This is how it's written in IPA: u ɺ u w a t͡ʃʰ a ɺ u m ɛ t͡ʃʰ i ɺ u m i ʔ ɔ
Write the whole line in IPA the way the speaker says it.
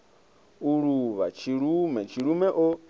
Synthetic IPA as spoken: u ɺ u β a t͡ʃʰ i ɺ u m ɛ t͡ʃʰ i ɺ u m ɛ ʔ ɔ